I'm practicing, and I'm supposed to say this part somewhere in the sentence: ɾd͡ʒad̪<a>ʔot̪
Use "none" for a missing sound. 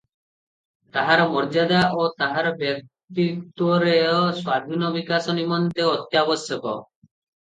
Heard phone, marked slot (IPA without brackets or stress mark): a